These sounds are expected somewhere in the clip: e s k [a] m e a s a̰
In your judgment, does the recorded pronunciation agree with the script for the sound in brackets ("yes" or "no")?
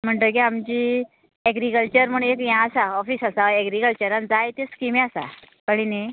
no